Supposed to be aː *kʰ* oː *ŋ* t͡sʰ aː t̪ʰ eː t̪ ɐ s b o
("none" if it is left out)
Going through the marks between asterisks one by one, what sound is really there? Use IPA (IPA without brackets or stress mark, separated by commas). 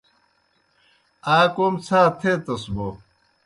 k, m